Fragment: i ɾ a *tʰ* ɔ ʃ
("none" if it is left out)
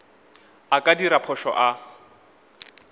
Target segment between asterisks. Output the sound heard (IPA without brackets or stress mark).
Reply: pʰ